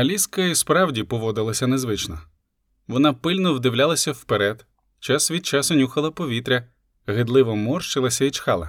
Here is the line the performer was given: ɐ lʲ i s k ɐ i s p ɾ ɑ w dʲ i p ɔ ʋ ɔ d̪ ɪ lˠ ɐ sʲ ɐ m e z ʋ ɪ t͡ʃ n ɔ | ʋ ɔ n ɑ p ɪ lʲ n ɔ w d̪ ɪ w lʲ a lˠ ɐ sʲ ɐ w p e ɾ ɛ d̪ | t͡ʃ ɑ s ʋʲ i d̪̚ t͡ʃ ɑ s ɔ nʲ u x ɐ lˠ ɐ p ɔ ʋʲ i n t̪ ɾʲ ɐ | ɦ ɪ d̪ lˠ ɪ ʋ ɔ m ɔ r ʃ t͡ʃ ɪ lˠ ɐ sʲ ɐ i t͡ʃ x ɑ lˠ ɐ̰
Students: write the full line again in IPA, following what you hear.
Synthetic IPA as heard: ɐ lʲ i s k ɐ i s p ɾ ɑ w dʲ i p ɔ ʋ ɔ d̪ ɪ lˠ ɐ sʲ ɐ n e z ʋ ɪ t͡ʃ n ɔ | ʋ ɔ n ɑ p ɪ lʲ n ɔ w d̪ ɪ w lʲ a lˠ ɐ sʲ ɐ w p e ɾ ɛ d̪ | t͡ʃ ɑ s ʋʲ i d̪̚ t͡ʃ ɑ s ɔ nʲ u x ɐ lˠ ɐ p ɔ ʋʲ i t̪ ɾʲ ɐ | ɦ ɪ d̪ lˠ ɪ ʋ ɔ m ɔ r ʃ t͡ʃ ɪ lˠ ɐ sʲ ɐ i t͡ʃ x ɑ lˠ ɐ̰